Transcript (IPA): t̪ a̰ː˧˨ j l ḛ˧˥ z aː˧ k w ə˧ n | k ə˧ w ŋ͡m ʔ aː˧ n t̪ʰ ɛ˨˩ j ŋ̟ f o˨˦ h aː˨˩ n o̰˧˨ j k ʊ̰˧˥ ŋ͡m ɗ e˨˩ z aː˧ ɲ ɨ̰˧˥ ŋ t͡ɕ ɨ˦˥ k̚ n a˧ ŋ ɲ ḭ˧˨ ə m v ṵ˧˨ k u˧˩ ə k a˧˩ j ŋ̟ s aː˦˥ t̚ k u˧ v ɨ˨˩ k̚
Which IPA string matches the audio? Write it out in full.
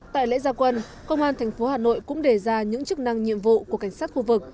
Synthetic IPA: t̪ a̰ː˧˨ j l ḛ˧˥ z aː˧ k w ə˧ n | k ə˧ w ŋ͡m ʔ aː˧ n t̪ʰ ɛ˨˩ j ŋ̟ f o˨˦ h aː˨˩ n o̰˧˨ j k ʊ̰˧˥ ŋ͡m ɗ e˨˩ z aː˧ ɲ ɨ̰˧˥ ŋ t͡ɕ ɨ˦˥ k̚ n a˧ ŋ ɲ ḭ˧˨ ə m v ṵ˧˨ k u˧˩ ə k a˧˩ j ŋ̟ s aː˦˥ t̚ x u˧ v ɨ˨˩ k̚

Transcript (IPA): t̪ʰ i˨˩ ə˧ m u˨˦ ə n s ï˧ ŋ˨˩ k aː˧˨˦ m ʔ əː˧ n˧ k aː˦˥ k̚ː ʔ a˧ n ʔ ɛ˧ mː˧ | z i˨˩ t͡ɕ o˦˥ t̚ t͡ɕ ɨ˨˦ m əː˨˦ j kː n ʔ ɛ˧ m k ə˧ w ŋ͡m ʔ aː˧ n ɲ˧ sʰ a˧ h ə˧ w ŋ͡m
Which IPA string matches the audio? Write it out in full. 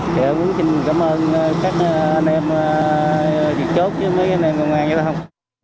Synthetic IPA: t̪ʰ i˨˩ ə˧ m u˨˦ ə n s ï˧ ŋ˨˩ k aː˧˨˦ m ʔ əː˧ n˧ k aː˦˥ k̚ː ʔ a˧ n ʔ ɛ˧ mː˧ | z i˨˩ t͡ɕ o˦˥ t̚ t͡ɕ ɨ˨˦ m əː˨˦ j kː n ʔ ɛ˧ m k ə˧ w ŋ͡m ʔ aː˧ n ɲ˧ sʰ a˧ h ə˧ w ŋ͡m

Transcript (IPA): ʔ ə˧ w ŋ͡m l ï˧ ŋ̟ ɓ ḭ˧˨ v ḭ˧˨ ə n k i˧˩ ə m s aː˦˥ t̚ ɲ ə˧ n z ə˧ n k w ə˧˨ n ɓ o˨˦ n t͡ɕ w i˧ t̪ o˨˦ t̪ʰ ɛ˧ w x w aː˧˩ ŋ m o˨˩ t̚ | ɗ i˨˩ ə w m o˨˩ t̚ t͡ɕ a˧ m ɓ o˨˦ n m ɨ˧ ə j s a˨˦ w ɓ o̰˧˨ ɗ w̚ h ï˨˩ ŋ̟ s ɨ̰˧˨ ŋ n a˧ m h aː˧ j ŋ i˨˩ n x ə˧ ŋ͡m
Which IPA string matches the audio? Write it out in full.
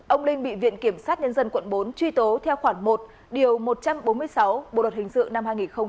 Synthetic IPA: ʔ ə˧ w ŋ͡m l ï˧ ŋ̟ ɓ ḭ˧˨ v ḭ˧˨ ə n k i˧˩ ə m s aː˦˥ t̚ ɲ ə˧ n z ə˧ n k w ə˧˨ n ɓ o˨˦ n t͡ɕ w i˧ t̪ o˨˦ t̪ʰ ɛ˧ w x w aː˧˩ ŋ m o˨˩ t̚ | ɗ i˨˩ ə w m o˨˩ t̚ t͡ɕ a˧ m ɓ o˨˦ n m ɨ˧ ə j s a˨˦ w ɓ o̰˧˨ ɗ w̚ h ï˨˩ ŋ̟ s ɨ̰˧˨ ŋ n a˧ m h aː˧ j ŋ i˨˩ n x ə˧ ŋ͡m

